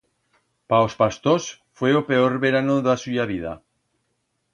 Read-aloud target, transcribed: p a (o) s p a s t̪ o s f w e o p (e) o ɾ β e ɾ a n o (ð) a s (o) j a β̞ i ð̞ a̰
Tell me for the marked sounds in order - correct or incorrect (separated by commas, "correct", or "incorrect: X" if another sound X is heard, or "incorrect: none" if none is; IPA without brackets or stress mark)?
correct, correct, correct, incorrect: u